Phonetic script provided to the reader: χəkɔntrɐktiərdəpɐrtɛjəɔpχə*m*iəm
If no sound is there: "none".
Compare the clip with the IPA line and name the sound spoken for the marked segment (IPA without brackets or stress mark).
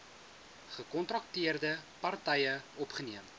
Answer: n